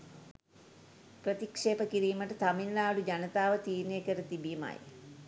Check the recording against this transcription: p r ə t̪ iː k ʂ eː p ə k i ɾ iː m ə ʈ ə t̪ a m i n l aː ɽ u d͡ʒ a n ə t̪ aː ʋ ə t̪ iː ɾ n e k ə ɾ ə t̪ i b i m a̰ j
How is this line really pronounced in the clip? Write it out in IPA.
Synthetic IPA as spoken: p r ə t̪ i k ʂ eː p ə k i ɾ iː m ə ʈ ə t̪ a m i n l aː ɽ u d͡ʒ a n ə t̪ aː ʋ ə t̪ iː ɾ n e k ə ɾ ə t̪ i b i m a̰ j

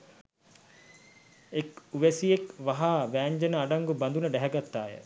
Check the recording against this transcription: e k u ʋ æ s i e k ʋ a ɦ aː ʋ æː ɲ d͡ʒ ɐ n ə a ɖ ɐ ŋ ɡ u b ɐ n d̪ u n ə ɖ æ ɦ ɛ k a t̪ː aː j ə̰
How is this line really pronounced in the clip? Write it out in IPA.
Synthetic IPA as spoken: e k u ʋ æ s i e k ʋ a ɦ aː ʋ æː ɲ d͡ʒ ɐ n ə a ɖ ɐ ŋ ɡ u b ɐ n d̪ u n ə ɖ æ ɦ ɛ ɡ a t̪ː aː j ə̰

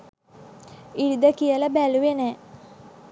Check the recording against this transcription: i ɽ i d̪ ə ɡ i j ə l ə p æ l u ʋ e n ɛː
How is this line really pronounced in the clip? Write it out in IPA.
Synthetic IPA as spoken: i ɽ i d̪ ə k i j ə l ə b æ l u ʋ e n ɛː

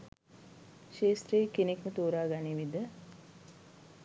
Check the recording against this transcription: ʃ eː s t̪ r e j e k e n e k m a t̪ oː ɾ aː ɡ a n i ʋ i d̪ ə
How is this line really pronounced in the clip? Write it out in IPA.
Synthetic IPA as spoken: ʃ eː s t̪ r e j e k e n e k m ə t̪ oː ɾ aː ɡ a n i ʋ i d̪ ə

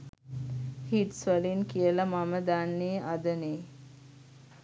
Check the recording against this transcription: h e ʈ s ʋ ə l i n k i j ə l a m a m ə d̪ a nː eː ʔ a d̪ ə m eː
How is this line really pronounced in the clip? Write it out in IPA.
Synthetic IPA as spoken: h i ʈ s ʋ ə l i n k i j ə l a m a m ə d̪ a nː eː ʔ a d̪ ə n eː

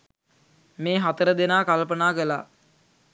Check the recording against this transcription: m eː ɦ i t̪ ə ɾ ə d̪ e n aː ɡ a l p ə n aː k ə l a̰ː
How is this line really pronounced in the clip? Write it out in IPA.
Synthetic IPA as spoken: m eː ɦ a t̪ ə ɾ ə d̪ e n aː k a l p ə n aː k ə l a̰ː

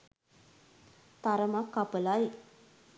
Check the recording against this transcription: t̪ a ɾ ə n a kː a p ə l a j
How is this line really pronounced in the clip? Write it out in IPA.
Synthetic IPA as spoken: t̪ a ɾ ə m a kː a p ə l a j

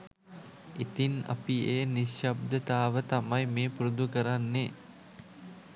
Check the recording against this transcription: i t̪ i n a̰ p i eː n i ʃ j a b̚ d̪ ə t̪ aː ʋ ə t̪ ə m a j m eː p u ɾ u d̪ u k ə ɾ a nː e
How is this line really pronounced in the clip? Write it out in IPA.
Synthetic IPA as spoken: i t̪ i n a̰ p i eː n i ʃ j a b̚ d̪ ə t̪ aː ʋ ə t̪ a m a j m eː p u ɾ u d̪ u k ə ɾ a nː e

